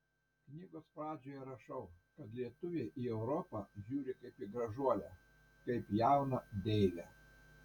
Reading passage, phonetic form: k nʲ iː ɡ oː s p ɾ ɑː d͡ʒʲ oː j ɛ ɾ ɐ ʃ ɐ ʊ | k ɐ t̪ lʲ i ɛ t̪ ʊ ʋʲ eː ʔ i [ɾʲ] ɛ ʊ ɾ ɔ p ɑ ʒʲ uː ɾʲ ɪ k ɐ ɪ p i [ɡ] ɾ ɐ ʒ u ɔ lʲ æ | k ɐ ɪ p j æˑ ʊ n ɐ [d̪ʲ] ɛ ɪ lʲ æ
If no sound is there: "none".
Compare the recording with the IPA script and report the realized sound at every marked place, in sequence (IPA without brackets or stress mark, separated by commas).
none, ɡ, d̪ʲ